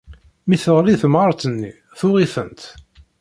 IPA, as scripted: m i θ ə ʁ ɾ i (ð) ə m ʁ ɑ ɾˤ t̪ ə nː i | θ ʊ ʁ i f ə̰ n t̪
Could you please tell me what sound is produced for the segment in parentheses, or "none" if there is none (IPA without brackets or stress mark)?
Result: θ